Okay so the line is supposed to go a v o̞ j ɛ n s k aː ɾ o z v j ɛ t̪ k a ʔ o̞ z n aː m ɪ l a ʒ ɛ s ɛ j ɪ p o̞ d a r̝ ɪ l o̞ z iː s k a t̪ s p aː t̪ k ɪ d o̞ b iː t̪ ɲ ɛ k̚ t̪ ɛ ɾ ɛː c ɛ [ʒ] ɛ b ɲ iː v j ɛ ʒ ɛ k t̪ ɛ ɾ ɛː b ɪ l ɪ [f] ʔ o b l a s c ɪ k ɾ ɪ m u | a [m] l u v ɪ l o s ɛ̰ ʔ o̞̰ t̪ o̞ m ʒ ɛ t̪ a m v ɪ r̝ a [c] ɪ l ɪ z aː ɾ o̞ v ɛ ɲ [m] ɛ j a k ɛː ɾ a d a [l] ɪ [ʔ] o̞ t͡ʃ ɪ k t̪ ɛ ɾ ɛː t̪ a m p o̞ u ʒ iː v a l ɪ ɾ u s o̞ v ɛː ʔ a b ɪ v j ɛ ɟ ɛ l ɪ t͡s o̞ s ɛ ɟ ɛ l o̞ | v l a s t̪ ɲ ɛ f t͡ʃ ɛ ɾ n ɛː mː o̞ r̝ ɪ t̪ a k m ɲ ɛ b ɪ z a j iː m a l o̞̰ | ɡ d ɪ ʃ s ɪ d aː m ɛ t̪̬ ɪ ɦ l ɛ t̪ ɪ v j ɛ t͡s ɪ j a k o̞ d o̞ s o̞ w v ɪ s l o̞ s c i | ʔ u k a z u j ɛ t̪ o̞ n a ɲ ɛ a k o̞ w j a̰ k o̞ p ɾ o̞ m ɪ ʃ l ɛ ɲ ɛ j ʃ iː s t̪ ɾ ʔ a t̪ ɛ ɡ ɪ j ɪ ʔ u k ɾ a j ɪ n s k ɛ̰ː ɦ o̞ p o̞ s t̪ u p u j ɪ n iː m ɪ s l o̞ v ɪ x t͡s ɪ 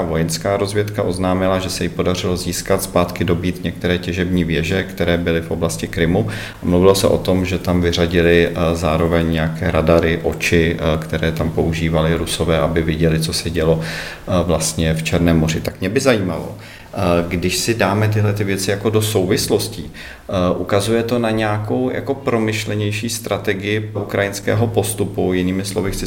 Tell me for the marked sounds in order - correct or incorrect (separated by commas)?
correct, correct, correct, incorrect, incorrect, incorrect, correct